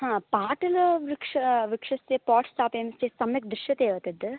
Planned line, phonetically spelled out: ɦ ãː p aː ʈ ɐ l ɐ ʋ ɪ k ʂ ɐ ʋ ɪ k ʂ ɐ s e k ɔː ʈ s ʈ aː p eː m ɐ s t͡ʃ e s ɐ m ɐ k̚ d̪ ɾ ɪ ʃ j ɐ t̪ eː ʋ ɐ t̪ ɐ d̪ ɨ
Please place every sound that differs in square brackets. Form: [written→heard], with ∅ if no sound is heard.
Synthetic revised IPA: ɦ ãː p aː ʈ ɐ l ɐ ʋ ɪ k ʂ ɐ ʋ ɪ k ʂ ɐ s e [k→p] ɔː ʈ s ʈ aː p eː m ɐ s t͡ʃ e s ɐ m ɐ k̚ d̪ ɾ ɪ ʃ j ɐ t̪ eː ʋ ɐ t̪ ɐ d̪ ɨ